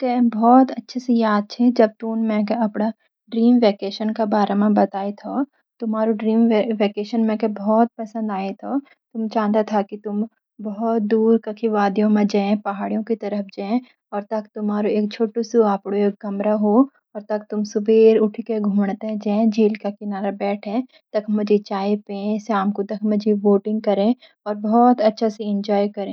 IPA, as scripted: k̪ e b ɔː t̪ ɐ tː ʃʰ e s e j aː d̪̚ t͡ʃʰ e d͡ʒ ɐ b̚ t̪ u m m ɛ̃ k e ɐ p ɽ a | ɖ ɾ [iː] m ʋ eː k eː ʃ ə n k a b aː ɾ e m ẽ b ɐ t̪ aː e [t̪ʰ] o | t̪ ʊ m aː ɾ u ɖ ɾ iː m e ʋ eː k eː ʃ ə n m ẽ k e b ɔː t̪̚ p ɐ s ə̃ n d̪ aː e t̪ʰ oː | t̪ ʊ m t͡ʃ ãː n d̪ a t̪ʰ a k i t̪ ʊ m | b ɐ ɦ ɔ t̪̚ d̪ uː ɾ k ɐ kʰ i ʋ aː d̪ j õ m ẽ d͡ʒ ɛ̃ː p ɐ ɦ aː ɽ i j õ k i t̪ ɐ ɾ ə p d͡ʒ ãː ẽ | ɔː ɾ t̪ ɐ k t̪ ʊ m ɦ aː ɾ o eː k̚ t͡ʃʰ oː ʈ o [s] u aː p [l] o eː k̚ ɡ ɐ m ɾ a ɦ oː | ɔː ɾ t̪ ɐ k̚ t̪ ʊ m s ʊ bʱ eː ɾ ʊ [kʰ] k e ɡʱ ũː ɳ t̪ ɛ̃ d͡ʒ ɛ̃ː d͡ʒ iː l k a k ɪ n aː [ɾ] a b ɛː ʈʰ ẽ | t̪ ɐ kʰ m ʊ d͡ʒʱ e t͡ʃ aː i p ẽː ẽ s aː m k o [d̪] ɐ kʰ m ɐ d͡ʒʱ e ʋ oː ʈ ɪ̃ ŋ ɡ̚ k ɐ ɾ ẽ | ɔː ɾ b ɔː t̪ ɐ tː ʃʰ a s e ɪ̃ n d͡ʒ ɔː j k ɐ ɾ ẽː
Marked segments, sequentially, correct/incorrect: correct, correct, correct, incorrect: ɽ, incorrect: ʈʰ, correct, incorrect: t̪

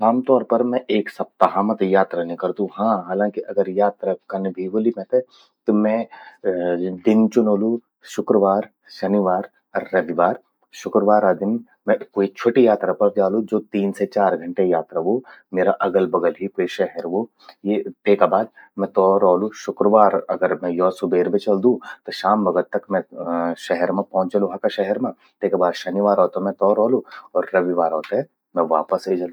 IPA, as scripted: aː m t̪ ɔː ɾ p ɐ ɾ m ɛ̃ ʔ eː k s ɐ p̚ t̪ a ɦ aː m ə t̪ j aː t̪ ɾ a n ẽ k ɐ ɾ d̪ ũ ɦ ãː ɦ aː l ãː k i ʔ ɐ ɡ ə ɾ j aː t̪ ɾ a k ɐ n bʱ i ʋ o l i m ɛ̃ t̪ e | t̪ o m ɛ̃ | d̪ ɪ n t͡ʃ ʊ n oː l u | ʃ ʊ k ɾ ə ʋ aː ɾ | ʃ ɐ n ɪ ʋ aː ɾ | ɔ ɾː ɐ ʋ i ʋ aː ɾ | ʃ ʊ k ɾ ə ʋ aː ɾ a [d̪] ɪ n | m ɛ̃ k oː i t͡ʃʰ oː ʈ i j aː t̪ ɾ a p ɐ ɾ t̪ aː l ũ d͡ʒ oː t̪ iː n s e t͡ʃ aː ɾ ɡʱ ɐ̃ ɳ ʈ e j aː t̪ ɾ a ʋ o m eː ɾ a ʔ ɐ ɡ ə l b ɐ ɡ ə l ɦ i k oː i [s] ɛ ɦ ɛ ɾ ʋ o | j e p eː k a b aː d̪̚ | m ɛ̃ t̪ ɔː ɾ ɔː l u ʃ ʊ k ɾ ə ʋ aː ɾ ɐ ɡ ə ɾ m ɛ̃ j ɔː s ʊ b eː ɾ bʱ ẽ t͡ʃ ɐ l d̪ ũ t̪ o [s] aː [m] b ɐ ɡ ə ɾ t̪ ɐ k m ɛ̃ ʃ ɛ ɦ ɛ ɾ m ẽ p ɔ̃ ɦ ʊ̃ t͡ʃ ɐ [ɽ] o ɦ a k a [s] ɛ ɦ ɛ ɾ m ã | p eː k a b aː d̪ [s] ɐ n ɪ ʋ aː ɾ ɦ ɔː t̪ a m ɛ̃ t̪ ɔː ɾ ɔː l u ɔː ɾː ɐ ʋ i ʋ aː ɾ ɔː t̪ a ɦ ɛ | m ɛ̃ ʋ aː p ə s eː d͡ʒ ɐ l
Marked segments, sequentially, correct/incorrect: correct, incorrect: ʃ, incorrect: ʃ, correct, incorrect: l, incorrect: ʃ, incorrect: ʃ

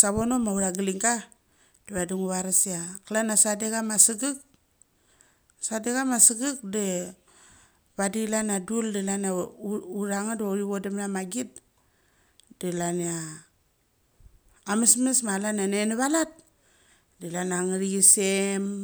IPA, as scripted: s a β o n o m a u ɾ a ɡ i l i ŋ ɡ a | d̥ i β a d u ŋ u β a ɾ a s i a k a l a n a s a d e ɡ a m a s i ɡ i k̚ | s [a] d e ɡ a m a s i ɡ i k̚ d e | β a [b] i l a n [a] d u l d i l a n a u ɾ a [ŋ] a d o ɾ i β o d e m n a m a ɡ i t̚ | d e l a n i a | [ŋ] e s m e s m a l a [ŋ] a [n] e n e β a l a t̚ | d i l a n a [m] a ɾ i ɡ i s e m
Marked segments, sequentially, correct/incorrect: correct, incorrect: d, correct, correct, incorrect: m, incorrect: n, correct, incorrect: ŋ

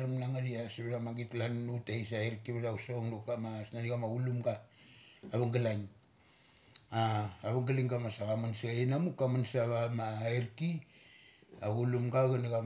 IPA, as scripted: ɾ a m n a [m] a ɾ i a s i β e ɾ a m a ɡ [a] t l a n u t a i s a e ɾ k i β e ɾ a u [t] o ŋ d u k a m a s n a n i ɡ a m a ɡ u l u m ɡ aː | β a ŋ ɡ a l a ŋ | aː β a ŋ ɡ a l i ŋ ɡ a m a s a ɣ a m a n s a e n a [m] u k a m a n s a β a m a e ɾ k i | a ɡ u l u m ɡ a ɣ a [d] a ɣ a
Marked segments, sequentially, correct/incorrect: incorrect: ŋ, incorrect: i, incorrect: s, correct, incorrect: n

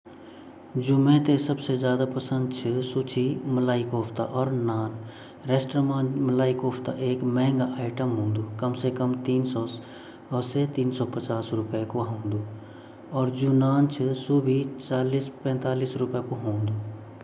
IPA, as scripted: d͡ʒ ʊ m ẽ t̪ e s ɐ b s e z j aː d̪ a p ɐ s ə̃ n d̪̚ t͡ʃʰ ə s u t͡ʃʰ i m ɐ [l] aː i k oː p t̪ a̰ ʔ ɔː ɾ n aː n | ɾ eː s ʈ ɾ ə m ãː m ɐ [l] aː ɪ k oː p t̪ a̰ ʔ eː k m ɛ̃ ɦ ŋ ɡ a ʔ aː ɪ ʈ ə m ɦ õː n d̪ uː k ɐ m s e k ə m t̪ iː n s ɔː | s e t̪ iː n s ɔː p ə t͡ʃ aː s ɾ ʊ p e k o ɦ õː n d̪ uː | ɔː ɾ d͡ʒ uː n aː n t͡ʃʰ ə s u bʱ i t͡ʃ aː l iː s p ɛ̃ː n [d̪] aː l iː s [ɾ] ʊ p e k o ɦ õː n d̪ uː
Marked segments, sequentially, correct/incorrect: correct, correct, incorrect: t̪, correct

